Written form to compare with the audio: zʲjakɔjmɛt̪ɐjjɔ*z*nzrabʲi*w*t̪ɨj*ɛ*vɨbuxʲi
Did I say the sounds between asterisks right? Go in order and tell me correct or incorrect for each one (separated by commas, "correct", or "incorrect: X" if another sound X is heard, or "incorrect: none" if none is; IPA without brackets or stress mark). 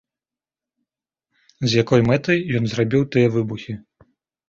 incorrect: none, correct, correct